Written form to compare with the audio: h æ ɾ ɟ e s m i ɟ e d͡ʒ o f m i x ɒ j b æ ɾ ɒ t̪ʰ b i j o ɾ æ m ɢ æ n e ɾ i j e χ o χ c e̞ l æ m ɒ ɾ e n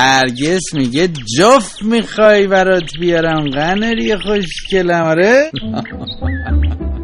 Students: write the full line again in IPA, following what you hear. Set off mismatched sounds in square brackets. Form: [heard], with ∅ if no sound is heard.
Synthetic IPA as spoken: h æ ɾ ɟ e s m i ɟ e d͡ʒ o f m i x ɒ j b æ ɾ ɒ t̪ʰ b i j [ɒ] ɾ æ m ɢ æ n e ɾ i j e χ o [ʃ] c e̞ l æ m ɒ ɾ e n